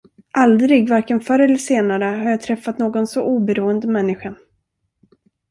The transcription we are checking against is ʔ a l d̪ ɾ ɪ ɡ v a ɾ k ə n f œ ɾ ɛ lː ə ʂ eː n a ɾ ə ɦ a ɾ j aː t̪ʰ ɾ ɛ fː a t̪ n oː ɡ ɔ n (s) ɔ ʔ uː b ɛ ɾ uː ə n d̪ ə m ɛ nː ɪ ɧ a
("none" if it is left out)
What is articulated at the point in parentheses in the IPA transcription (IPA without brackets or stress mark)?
s